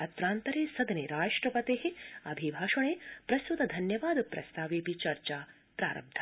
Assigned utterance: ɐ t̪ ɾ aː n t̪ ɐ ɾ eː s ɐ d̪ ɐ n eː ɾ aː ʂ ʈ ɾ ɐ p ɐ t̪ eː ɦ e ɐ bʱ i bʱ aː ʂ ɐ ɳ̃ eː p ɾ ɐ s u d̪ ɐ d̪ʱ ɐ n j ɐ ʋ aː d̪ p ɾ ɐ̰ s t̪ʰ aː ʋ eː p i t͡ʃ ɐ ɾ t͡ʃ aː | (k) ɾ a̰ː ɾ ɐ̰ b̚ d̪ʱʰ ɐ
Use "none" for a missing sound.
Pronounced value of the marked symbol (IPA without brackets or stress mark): p